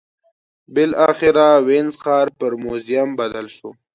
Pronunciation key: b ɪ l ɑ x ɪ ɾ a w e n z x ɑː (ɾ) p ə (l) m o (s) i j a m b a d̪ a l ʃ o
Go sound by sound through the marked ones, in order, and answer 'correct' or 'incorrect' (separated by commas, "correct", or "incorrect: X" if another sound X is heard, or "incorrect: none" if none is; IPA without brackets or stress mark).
correct, incorrect: ɾ, incorrect: z